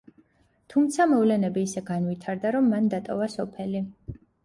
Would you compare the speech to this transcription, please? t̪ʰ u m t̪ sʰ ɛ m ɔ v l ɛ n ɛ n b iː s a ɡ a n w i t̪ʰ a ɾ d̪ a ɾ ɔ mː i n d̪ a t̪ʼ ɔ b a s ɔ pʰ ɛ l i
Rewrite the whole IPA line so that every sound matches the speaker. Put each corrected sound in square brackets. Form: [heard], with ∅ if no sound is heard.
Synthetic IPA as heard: t̪ʰ u m t̪ sʰ [a] m ɔ v l ɛ n ɛ [∅] b iː s [ɛ] ɡ a n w i t̪ʰ a ɾ d̪ a ɾ ɔ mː [a] n d̪ a t̪ʼ ɔ [v] a s ɔ pʰ ɛ l i